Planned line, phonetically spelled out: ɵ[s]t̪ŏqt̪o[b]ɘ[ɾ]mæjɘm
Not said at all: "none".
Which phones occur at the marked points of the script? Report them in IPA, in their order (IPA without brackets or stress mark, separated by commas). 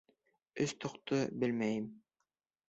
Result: s, b, l